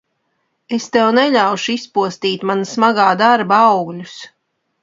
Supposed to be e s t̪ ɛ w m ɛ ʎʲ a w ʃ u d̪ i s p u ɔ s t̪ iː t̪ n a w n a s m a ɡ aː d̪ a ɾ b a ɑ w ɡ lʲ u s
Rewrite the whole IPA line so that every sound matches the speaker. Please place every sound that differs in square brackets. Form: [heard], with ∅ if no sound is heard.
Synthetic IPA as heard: e s t̪ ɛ w [n] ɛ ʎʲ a w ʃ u [∅] i s p u ɔ s t̪ iː t̪ [m] a [∅] n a s m a ɡ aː d̪ a ɾ b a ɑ w ɡ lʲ u s